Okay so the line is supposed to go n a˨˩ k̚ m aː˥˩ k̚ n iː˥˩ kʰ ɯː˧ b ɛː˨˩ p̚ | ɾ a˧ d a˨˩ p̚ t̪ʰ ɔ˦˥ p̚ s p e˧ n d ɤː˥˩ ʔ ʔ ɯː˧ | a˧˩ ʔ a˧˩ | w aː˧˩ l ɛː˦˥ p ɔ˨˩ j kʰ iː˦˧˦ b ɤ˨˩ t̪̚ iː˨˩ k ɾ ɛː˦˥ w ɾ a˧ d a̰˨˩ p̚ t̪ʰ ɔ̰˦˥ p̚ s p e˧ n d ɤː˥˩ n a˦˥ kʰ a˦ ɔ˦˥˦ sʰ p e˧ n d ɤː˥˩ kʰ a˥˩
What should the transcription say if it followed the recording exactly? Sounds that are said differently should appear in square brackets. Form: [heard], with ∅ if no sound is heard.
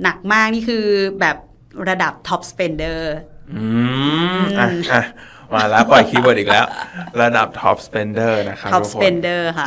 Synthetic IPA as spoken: n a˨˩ k̚ m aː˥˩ k̚ n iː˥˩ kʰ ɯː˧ b ɛː˨˩ p̚ | ɾ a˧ d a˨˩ p̚ t̪ʰ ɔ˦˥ p̚ s p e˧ n d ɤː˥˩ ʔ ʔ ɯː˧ | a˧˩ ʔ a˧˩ | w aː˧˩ l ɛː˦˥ p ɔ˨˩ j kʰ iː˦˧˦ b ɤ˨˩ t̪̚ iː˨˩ k [l] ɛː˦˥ w ɾ a˧ d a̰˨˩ p̚ t̪ʰ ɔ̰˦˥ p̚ s p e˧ n d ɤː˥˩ n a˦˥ kʰ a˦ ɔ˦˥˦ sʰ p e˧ n d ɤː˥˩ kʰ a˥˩